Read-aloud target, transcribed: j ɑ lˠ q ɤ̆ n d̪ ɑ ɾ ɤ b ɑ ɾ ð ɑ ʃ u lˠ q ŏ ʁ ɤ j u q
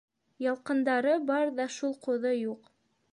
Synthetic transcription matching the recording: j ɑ lˠ q ɤ̆ n d̪ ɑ ɾ ɤ b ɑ ɾ ð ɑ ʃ u lˠ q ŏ ð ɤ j u q

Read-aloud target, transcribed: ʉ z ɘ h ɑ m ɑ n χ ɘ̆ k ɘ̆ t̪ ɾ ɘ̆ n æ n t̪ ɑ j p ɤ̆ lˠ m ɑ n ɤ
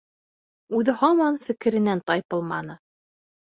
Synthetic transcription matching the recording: ʉ ð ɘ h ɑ m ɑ n f ɘ̆ k ɘ̆ ɾ ɘ̆ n æ n t̪ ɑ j p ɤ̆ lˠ m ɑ n ɤ

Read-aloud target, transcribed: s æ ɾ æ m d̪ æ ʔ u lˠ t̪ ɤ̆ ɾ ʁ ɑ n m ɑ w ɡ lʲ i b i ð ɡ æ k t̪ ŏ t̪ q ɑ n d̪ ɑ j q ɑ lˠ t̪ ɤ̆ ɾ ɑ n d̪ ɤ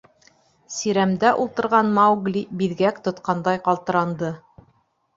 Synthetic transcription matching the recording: s i ɾ æ m d̪ æ ʔ u lˠ t̪ ɤ̆ ɾ ʁ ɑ n m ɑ w ɡ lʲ i b i ð ɡ æ k t̪ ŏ t̪ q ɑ n d̪ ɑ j q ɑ lˠ t̪ ɤ̆ ɾ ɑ n d̪ ɤ

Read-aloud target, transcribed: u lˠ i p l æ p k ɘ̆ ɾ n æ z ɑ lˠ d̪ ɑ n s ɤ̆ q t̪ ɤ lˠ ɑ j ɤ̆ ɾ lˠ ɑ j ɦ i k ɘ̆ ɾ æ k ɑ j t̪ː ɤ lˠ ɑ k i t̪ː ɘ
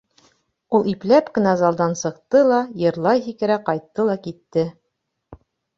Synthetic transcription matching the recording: u lˠ i p l æ p k ɘ̆ n æ z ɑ lˠ d̪ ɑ n s ɤ̆ q t̪ ɤ lˠ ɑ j ɤ̆ ɾ lˠ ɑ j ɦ i k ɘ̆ ɾ æ q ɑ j t̪ː ɤ lˠ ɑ k i t̪ː ɘ

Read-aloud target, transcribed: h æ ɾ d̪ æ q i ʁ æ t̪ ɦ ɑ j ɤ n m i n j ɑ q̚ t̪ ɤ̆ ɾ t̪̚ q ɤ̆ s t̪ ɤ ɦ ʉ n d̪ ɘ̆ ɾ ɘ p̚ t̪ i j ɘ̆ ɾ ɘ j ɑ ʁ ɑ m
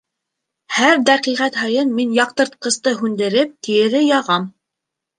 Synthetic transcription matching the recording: h æ ɾ d̪ æ q i ʁ æ t̪ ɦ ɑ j ɤ n m i n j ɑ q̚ t̪ ɤ̆ ɾ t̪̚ q ɤ̆ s t̪ ɤ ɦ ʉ n d̪ ɘ̆ ɾ ɘ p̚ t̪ i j ɘ̆ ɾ ɘ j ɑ ʁ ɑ m

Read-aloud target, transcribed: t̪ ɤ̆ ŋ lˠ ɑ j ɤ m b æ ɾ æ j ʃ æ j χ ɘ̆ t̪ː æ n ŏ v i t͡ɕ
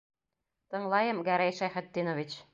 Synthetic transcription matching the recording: t̪ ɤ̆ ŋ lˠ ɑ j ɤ m ɡ æ ɾ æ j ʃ æ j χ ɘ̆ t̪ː i n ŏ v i t͡ɕ

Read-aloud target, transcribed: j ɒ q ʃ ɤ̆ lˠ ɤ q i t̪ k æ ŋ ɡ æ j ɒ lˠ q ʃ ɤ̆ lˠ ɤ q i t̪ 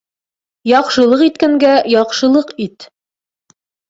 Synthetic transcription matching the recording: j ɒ q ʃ ɤ̆ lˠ ɤ q i t̪ k æ ŋ ɡ æ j ɒ q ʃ ɤ̆ lˠ ɤ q i t̪

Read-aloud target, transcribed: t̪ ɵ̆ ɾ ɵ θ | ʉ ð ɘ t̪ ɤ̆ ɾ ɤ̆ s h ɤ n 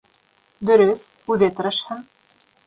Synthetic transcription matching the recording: d̪ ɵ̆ ɾ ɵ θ | ʉ ð ɘ t̪ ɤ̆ ɾ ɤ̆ ʃ h ɤ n

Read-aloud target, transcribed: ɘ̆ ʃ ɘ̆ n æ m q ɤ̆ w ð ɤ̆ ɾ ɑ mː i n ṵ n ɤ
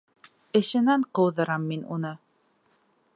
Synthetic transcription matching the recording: ɘ̆ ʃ ɘ̆ n æ ɴ q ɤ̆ w ð ɤ̆ ɾ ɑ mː i n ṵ n ɤ

